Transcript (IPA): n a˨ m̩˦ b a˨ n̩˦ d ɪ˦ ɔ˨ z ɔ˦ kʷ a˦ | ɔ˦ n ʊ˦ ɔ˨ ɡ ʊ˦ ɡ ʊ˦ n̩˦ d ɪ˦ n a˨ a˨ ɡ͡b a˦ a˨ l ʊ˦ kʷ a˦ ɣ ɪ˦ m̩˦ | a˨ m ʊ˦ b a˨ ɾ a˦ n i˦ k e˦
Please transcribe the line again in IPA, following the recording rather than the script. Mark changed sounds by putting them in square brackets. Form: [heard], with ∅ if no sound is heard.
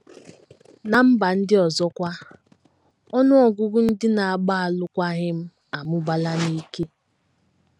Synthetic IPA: n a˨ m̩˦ b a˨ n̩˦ d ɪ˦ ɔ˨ z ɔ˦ kʷ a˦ | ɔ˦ n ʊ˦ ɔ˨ ɡ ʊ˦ ɡ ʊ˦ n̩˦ d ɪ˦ n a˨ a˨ ɡ͡b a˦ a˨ l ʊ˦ kʷ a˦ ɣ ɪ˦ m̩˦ | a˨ m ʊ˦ b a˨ [l] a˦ n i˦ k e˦